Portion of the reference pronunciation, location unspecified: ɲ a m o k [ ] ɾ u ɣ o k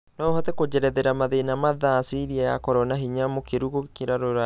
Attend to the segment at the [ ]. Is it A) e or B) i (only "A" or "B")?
A